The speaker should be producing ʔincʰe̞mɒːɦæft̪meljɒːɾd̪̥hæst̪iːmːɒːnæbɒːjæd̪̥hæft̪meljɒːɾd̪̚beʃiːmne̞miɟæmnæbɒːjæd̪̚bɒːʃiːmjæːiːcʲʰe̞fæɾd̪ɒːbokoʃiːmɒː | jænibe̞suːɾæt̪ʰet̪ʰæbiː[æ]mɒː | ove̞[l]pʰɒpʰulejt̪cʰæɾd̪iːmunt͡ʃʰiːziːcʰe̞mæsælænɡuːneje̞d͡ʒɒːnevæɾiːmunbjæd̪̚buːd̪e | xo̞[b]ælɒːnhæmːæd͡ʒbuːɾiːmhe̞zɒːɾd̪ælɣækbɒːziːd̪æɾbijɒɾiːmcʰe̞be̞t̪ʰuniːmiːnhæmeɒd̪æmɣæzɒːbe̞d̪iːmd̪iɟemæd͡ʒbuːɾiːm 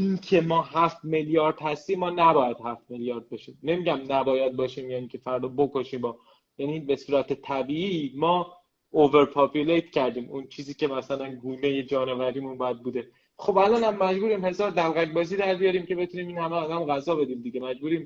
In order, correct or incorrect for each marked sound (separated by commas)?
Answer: incorrect, incorrect, correct